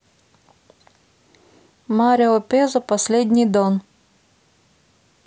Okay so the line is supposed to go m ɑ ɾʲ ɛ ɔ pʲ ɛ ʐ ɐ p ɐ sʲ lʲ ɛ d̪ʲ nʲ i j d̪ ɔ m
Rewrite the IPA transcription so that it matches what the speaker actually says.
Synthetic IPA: m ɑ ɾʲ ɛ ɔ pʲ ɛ z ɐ p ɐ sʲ lʲ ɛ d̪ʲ nʲ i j d̪ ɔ n

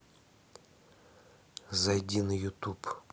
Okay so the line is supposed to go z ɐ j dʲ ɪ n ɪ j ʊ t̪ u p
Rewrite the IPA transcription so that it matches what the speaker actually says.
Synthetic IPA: z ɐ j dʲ i n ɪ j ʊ t̪ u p

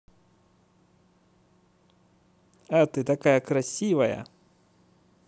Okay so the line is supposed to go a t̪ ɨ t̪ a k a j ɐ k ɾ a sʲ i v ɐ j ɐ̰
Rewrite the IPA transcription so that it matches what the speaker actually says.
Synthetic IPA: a t̪ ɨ t̪ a k a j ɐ k ɾ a sʲ i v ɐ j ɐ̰

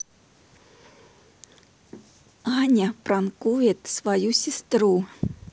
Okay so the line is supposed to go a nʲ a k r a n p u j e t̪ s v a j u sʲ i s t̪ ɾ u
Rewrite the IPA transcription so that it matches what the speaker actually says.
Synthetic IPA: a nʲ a p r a n k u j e t̪ s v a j u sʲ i s t̪ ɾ u

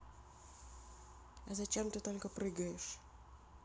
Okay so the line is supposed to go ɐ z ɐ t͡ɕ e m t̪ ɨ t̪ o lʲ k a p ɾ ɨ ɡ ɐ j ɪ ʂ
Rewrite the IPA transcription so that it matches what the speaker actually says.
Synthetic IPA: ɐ z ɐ t͡ɕ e m t̪ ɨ t̪ o lʲ k ə p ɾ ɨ ɡ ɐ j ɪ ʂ

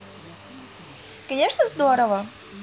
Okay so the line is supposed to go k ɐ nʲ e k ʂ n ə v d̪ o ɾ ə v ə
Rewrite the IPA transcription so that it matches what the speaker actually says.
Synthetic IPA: k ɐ nʲ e ʂ n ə z d̪ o ɾ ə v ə

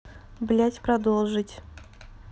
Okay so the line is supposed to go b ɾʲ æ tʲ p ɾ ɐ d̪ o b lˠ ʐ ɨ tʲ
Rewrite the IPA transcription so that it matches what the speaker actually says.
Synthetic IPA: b lʲ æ tʲ p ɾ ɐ d̪ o lˠ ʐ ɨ tʲ

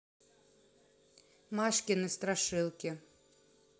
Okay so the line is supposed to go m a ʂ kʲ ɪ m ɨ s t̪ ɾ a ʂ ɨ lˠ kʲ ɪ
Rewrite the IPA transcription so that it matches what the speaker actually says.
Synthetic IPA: m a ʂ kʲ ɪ n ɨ s t̪ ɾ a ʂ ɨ lˠ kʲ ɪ

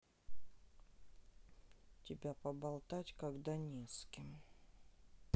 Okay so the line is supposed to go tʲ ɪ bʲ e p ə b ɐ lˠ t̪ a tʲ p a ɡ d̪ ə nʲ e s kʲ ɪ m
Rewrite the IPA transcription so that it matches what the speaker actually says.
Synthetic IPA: tʲ ɪ bʲ a p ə b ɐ lˠ t̪ a tʲ k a ɡ d̪ a nʲ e s kʲ ɪ m

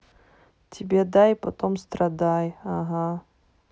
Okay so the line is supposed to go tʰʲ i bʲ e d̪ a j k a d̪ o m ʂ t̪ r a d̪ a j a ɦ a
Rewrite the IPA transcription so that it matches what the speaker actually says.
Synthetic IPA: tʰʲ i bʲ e d̪ a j p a t̪ o m s t̪ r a d̪ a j a ɦ a

